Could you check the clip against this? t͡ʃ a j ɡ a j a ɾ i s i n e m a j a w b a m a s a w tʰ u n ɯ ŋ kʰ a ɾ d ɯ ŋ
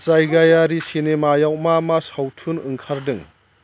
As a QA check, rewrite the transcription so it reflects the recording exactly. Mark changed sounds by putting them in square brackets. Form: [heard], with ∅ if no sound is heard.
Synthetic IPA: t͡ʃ a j ɡ a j a ɾ i s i n e m a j a w [m] a m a s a w tʰ u n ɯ ŋ kʰ a ɾ d ɯ ŋ